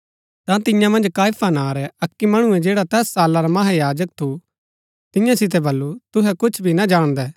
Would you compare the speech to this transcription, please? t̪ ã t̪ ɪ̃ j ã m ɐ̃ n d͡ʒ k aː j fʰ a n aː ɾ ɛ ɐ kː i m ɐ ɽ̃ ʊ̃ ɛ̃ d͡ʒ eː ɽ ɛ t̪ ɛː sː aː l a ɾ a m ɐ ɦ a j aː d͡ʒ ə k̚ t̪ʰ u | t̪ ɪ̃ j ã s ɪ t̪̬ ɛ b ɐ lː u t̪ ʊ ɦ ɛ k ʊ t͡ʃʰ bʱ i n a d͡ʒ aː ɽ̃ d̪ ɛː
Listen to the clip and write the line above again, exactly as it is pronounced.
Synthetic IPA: t̪ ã t̪ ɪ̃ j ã m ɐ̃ n d͡ʒ k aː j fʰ a n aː ɾ ɛ ɐ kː i m ɐ ɽ̃ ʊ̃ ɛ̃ d͡ʒ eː ɽ a t̪ ɛː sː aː l a ɾ a m ɐ ɦ a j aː d͡ʒ ə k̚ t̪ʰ u | t̪ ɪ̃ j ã s ɪ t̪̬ ɛ b ɐ lː u t̪ ʊ ɦ ɛ k ʊ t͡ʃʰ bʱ i n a d͡ʒ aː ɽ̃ d̪ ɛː